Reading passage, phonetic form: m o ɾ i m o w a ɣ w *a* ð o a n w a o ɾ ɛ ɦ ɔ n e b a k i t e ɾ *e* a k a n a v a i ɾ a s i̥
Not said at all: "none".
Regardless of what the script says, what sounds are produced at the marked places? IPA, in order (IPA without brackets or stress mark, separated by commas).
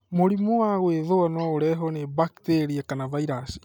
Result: e, i